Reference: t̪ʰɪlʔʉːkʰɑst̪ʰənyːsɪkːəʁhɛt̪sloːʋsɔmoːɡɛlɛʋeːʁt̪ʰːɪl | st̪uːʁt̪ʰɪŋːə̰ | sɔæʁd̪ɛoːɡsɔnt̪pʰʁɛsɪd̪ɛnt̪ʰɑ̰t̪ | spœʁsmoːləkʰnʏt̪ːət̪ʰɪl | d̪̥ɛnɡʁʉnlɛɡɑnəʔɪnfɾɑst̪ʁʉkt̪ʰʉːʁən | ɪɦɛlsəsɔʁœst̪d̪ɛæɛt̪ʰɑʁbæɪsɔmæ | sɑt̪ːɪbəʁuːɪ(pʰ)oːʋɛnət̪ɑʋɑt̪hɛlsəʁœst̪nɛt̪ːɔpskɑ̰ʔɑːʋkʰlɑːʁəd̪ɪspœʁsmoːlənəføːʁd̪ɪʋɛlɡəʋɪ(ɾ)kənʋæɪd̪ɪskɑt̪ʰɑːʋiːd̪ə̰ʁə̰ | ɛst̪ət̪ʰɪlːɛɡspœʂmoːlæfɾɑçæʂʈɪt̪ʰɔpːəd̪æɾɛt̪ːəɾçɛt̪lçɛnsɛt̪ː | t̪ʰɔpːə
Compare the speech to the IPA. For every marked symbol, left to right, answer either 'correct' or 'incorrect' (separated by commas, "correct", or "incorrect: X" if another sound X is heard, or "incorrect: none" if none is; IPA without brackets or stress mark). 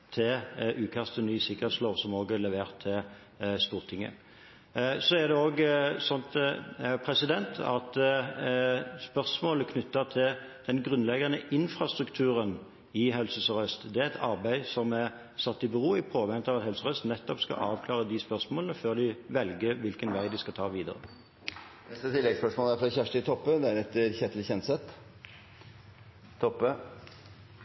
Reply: correct, incorrect: l